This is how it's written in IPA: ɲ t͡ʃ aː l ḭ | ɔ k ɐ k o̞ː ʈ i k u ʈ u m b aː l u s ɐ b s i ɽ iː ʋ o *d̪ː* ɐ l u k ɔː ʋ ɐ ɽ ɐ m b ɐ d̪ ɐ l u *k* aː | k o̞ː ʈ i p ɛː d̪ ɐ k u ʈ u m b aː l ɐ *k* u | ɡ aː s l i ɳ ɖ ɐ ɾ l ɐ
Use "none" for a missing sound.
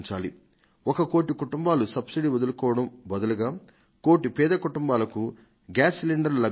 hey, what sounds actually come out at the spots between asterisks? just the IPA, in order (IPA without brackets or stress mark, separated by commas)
d̪, ɡ, k